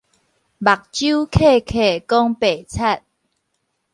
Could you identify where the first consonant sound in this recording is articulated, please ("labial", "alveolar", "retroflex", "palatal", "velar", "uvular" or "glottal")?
labial